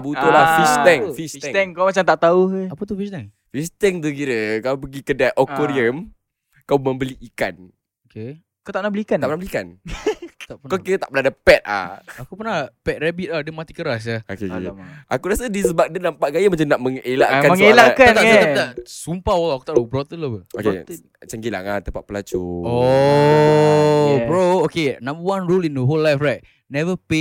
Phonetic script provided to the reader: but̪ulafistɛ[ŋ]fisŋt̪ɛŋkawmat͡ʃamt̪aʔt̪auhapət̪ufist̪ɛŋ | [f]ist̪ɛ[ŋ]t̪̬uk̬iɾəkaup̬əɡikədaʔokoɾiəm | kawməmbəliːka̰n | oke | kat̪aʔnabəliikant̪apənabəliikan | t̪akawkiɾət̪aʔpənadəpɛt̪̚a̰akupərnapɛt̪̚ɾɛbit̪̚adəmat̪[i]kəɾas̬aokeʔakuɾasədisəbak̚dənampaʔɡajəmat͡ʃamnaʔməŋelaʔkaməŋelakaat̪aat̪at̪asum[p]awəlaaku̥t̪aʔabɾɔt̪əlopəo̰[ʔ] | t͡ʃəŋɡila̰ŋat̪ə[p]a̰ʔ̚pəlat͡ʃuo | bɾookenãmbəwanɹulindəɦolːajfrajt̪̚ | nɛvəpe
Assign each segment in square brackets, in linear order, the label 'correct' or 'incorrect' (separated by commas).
correct, correct, correct, correct, correct, incorrect, correct